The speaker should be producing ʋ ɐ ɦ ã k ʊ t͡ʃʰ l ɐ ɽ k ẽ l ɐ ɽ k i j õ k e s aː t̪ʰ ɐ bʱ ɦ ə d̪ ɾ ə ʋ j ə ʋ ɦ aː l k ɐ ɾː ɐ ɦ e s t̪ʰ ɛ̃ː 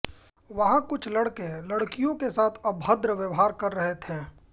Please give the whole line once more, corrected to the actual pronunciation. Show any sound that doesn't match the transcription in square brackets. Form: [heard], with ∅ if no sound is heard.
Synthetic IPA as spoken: ʋ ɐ ɦ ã k ʊ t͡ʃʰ l ɐ ɽ k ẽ l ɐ ɽ k i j õ k e s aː t̪ʰ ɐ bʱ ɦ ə d̪ ɾ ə ʋ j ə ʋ ɦ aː [ɾ] k ɐ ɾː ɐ ɦ e [∅] t̪ʰ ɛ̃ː

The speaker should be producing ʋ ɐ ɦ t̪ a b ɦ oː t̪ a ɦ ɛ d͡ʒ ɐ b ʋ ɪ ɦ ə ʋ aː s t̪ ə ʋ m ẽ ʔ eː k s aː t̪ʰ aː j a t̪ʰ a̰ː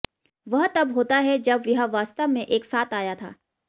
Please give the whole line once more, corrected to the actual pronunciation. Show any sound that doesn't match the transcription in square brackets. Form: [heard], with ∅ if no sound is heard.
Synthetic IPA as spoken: ʋ ɐ ɦ t̪ [ɐ] b ɦ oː t̪ a ɦ ɛ d͡ʒ ɐ b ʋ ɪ ɦ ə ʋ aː s t̪ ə ʋ m ẽ ʔ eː k s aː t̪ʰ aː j a t̪ʰ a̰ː

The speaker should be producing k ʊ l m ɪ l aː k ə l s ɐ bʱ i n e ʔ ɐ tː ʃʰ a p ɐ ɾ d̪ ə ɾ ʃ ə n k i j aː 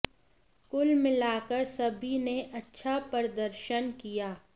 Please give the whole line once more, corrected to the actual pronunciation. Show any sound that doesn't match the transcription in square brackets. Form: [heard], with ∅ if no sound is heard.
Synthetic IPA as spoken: k ʊ l m ɪ l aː k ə [ɾ] s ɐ bʱ i n e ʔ ɐ tː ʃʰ a p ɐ ɾ d̪ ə ɾ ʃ ə n k i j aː

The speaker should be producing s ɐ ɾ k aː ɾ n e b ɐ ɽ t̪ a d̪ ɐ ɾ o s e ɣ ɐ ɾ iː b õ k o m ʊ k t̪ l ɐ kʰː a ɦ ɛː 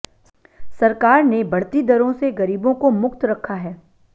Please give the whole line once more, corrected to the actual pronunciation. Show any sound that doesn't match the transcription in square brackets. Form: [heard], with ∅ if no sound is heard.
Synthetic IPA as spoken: s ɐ ɾ k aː ɾ n e b ɐ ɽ t̪ [i] d̪ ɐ ɾ [õ] s e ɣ ɐ ɾ iː b õ k o m ʊ k t̪ [ɾ] ɐ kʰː a ɦ ɛː

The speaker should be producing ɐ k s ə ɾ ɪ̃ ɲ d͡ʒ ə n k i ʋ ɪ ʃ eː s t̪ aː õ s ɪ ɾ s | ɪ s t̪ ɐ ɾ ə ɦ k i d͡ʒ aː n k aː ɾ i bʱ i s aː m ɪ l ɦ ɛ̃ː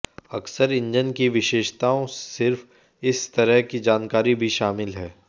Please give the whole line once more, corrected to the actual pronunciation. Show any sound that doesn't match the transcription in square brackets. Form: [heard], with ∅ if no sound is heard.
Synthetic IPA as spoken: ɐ k s ə ɾ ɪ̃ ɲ d͡ʒ ə n k i ʋ ɪ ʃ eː [ʃ] t̪ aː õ s ɪ ɾ [f] | ɪ s t̪ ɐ ɾ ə ɦ k i d͡ʒ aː n k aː ɾ i bʱ i [ʃ] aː m ɪ l ɦ [ɛː]

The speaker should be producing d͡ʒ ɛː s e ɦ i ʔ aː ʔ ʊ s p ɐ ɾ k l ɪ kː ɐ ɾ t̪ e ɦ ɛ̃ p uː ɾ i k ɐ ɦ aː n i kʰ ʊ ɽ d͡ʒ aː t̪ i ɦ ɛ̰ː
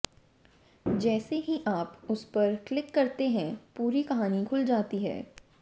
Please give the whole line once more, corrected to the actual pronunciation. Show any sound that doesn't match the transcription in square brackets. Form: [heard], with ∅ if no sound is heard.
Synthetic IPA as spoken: d͡ʒ ɛː s e ɦ i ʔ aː [p] ʊ s p ɐ ɾ k l ɪ kː ɐ ɾ t̪ e ɦ ɛ̃ p uː ɾ i k ɐ ɦ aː n i kʰ ʊ [l] d͡ʒ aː t̪ i ɦ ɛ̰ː

